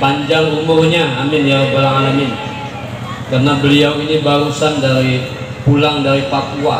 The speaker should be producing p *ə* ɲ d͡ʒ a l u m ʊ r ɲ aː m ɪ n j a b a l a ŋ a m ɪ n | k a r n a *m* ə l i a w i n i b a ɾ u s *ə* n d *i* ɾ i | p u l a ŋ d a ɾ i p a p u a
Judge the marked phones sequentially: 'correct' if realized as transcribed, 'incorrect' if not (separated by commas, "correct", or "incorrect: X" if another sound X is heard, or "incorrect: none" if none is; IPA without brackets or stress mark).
incorrect: a, incorrect: b, incorrect: a, incorrect: a